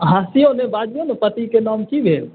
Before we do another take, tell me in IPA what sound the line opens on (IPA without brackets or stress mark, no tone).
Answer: ɦ